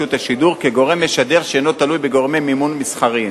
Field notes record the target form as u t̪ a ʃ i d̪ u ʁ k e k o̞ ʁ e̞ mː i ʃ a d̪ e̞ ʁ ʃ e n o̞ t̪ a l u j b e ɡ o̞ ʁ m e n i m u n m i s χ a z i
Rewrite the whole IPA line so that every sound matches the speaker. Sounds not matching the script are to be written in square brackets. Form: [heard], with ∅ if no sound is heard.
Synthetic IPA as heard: u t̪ a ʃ i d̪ u ʁ k e [ɡ] o̞ ʁ e̞ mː [e] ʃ a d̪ e̞ ʁ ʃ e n o̞ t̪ a l u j b e ɡ o̞ ʁ m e [m] i m u n m i s χ a [ʁ] i